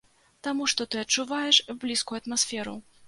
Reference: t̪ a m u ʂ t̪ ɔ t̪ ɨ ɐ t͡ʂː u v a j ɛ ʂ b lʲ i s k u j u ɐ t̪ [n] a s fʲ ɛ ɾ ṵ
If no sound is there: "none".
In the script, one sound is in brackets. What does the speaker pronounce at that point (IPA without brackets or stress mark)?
m